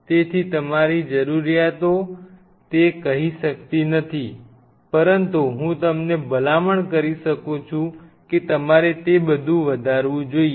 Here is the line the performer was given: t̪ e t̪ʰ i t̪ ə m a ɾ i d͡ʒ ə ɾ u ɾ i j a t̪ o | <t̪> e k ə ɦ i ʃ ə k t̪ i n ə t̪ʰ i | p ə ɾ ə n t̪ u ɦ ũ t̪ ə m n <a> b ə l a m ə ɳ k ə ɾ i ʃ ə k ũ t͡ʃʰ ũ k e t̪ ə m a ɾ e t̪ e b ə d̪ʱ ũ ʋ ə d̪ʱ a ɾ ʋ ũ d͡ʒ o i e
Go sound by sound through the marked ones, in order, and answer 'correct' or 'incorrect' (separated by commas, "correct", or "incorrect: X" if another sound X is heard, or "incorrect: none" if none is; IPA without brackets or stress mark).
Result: correct, incorrect: e